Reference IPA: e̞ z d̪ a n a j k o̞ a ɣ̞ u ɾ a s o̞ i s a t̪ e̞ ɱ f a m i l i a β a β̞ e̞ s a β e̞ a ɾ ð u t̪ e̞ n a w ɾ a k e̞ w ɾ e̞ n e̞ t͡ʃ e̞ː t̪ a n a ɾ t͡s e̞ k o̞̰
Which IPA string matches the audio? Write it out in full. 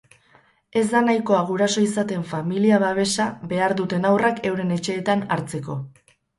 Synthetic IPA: e̞ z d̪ a n a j k o̞ a ɣ̞ u ɾ a s o̞ i s a t̪ e̞ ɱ f a m i l i a β a β̞ e̞ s a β e̞ a ɾ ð u t̪ e̞ n a w r a k e̞ w ɾ e̞ n e̞ t͡ʃ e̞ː t̪ a n a ɾ t͡s e̞ k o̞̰